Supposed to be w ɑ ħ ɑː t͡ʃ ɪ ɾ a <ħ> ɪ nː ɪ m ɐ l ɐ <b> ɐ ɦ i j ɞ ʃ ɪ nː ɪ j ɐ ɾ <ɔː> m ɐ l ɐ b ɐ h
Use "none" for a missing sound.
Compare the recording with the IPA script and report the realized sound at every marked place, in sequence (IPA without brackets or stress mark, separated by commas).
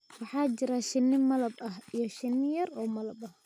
ʃ, b, ɔː